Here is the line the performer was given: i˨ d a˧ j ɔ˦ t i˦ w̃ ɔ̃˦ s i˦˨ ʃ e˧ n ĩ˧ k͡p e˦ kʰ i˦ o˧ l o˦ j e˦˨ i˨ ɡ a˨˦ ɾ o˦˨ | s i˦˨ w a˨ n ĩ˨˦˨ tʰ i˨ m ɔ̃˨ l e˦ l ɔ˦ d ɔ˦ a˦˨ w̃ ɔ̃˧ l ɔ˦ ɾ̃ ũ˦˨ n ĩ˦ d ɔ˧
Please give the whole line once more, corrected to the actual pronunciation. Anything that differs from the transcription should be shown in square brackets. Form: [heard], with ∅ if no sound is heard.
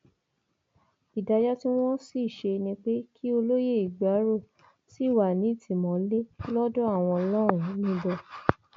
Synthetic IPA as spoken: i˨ d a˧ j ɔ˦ t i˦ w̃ ɔ̃˦ s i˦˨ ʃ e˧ n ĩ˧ k͡p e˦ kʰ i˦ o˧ l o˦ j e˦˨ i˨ [ɡ͡b] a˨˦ ɾ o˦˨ | s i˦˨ w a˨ n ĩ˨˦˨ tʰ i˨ m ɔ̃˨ l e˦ l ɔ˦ d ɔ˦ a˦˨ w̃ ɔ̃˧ l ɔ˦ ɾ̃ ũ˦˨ n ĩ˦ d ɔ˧

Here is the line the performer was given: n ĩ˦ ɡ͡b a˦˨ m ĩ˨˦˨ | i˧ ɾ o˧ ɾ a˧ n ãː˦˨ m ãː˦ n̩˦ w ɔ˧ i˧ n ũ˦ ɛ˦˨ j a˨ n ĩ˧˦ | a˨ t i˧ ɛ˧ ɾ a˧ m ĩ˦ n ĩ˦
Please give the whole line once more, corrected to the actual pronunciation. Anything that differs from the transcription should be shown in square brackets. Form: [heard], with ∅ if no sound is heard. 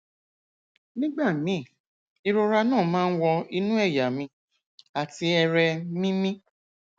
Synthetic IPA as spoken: n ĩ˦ ɡ͡b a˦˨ m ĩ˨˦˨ | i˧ ɾ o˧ ɾ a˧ n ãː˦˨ m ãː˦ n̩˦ w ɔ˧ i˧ n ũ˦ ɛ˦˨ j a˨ [m] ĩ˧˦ | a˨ t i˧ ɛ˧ ɾ [ɛ˧] m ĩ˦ [m] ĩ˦

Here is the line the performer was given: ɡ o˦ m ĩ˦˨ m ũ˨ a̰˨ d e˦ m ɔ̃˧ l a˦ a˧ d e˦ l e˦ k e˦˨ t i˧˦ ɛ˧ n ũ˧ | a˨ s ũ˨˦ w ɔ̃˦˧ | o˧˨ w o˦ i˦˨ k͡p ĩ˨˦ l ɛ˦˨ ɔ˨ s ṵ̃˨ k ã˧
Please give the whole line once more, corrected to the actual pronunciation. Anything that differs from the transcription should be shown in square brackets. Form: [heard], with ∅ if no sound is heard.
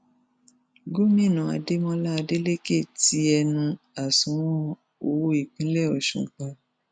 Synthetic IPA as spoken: ɡ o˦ m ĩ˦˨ [n] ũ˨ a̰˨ d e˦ m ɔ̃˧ l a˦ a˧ d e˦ l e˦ k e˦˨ t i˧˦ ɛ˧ n ũ˧ | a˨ s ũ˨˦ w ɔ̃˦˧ | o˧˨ w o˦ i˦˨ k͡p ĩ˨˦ l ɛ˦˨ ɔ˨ [ʃ] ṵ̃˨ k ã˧

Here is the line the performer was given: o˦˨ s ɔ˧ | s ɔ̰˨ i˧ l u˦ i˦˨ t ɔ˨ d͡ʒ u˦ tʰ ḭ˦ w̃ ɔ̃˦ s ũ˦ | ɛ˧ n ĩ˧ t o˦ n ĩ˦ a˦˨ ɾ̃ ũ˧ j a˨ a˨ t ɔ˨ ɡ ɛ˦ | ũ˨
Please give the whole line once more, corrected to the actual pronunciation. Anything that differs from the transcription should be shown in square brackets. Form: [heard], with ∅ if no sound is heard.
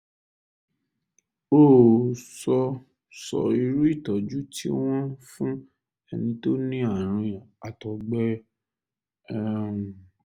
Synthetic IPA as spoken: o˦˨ s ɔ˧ | s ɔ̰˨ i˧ [ɾ] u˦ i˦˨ t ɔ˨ d͡ʒ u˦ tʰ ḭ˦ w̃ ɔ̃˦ [f] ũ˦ | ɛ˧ n ĩ˧ t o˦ n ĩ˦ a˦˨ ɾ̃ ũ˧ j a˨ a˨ t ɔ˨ [ɡ͡b] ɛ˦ | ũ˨

